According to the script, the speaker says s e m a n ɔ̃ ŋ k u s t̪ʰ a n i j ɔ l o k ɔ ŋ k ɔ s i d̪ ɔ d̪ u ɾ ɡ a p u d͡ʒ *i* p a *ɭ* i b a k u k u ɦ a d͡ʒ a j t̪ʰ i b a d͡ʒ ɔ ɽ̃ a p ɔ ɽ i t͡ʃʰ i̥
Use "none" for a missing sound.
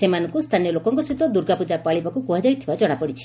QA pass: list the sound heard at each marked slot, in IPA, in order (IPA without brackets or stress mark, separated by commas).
a, ɭ